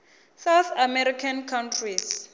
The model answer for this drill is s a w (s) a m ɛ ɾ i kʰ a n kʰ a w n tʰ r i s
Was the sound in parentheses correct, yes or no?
no